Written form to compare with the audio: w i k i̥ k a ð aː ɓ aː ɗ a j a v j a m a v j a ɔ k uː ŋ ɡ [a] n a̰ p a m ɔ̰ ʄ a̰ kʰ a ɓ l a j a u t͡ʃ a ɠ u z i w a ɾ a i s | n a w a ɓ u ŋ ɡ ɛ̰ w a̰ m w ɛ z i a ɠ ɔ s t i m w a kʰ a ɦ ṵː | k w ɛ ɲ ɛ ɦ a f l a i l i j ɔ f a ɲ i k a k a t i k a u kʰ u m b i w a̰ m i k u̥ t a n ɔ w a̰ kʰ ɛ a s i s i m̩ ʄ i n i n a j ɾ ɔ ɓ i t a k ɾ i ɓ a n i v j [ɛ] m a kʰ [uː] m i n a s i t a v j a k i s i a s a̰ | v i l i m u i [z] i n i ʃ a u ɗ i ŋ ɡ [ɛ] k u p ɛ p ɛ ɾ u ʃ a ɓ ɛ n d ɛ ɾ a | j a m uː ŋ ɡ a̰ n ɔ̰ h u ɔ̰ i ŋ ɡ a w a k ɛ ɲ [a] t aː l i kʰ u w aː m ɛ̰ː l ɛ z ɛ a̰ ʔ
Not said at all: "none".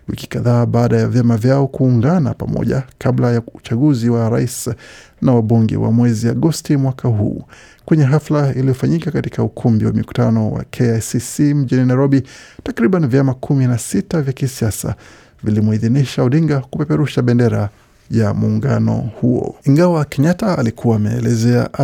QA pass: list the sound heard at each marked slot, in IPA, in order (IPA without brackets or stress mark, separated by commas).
a, a, u, ð, a, a